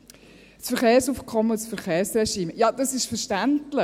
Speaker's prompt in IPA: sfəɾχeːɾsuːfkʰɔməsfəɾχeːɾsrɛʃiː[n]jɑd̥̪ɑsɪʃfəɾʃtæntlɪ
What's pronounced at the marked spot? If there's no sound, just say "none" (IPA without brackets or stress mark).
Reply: m